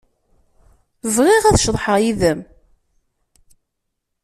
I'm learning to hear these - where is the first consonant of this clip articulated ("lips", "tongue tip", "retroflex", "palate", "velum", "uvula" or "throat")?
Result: lips